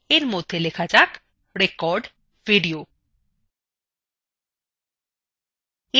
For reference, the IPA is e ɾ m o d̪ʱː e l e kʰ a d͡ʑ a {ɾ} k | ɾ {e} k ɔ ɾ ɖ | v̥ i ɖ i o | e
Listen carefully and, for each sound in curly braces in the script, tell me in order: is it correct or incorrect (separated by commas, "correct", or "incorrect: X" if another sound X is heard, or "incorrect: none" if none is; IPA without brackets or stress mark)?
incorrect: none, correct